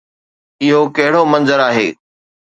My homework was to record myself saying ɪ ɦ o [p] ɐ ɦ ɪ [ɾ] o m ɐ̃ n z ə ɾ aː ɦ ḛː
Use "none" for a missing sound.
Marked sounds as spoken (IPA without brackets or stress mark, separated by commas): k, ɽ